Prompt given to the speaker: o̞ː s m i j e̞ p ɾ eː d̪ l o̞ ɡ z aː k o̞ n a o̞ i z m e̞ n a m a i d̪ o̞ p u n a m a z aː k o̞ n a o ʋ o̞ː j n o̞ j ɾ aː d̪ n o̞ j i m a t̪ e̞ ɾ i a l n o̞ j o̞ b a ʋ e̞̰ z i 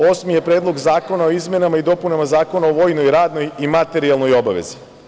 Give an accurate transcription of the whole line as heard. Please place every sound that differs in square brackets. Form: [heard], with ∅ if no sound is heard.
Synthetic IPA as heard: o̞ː s m i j e̞ p ɾ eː d̪ l o̞ ɡ z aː k o̞ n a o̞ i z m e̞ n a m a i d̪ o̞ p u n a m a z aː k o̞ n a o ʋ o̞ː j n o̞ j ɾ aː d̪ n o̞ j i m a t̪ e̞ ɾ i a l n o̞ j o̞ b a ʋ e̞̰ z i